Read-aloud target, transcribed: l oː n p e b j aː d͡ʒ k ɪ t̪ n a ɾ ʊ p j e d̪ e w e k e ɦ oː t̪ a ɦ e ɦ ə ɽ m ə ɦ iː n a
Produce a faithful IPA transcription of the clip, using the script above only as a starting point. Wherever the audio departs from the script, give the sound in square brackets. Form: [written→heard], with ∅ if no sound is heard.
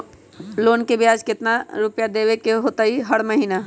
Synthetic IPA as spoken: l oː n [p→k] e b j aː d͡ʒ k ɪ t̪ n a ɾ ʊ p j [e→a] d̪ e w e k e ɦ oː t̪ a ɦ [e→i] ɦ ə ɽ m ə ɦ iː n a